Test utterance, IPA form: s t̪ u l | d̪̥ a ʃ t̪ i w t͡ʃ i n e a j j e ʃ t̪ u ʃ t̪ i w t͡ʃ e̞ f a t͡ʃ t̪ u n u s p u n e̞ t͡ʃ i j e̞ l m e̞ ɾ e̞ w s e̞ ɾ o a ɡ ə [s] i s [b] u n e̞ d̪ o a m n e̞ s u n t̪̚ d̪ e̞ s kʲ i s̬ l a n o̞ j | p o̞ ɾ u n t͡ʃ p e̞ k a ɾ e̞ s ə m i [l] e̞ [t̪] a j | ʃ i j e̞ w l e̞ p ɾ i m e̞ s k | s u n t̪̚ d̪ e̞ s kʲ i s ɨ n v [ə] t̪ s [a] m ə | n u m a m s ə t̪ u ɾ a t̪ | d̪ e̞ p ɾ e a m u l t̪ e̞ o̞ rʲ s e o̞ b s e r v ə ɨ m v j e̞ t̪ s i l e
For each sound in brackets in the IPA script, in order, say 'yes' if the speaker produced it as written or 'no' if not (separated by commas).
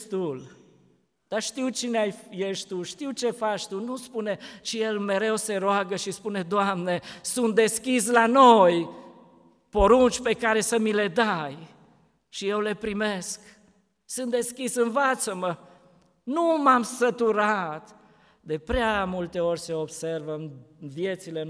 no, no, yes, no, no, no